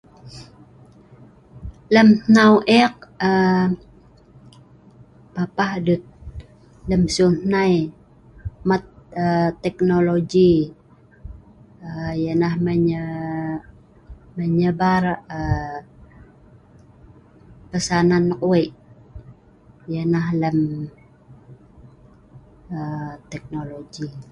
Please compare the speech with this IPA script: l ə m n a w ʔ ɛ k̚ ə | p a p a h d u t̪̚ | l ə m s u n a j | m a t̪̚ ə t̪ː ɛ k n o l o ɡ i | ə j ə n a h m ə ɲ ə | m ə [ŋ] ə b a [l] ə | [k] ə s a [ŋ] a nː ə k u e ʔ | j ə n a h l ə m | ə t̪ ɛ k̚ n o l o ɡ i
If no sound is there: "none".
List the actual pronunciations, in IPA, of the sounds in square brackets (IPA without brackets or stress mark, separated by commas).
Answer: ɲ, r, p, n